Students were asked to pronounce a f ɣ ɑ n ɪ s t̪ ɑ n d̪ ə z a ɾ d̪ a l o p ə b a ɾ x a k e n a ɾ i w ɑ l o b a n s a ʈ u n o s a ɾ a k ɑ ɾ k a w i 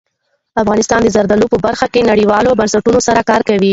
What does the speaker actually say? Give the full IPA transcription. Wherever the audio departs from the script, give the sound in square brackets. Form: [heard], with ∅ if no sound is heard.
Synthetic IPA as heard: a f ɣ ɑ n ɪ s t̪ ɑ n d̪ ə z a ɾ d̪ a l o p ə b a ɾ x a k e n a [ɽ] i w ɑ l o b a n s a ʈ u n o s a ɾ a k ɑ ɾ k a w i